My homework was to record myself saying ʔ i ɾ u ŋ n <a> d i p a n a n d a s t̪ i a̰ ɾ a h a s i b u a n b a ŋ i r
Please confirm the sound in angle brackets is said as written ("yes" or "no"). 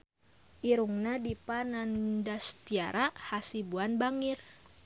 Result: yes